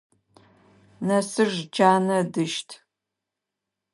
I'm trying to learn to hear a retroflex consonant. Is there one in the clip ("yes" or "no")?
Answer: no